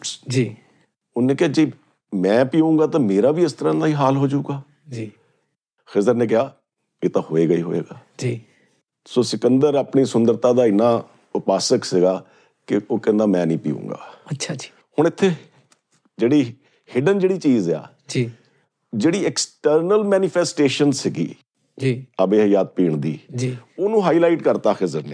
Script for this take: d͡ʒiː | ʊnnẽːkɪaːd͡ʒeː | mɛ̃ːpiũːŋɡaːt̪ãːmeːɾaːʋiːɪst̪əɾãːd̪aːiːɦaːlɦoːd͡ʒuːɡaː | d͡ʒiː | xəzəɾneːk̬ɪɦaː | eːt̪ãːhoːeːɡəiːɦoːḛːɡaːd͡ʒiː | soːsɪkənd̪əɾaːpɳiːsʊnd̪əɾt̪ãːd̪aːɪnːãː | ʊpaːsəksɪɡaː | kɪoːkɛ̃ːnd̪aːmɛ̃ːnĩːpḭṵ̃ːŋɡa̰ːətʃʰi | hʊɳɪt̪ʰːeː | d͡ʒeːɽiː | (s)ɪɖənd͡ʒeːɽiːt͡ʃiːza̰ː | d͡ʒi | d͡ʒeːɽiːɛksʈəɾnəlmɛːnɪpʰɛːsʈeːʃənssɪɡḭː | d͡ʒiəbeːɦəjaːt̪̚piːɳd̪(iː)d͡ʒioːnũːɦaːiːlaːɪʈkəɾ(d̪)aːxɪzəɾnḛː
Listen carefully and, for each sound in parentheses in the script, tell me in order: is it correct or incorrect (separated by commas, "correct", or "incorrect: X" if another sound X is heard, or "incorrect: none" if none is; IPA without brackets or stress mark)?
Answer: incorrect: h, correct, incorrect: t̪